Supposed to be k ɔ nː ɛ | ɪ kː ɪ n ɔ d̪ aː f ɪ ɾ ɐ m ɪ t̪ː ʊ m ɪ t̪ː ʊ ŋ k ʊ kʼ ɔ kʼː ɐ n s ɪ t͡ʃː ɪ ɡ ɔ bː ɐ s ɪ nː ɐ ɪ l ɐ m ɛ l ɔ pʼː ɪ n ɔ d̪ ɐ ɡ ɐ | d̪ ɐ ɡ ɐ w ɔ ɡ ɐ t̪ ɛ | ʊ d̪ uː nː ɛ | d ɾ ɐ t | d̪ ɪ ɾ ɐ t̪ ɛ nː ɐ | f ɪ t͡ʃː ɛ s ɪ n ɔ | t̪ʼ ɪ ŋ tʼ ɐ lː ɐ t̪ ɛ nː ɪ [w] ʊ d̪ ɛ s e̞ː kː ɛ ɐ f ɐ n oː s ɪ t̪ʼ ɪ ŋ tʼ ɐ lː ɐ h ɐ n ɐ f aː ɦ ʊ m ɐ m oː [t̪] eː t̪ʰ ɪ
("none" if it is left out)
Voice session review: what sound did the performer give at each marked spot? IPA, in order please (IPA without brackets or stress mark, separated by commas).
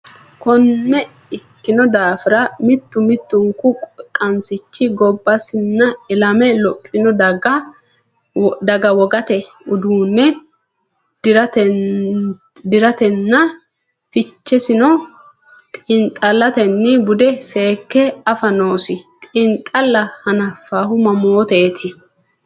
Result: b, t̪